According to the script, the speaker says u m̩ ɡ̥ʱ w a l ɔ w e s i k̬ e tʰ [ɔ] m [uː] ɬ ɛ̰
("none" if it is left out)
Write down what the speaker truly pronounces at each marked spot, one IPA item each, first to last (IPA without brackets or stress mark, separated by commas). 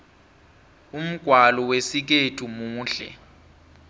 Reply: u, uː